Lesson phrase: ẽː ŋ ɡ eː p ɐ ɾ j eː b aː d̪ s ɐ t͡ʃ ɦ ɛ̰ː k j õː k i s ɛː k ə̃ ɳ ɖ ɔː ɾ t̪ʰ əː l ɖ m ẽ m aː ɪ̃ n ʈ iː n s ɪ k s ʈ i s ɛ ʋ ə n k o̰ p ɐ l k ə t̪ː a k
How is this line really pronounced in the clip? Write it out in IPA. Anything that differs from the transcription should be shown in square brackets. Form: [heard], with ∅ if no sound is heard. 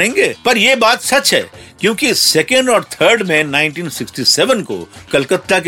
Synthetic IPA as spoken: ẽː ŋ ɡ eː p ɐ ɾ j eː b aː [t̪] s ɐ t͡ʃ ɦ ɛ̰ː k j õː k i s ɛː k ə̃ ɳ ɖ ɔː ɾ t̪ʰ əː [ɾ] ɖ m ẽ [n] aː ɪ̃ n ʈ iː n s ɪ k s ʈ i s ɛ ʋ ə n k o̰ [k] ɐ l k ə t̪ː a k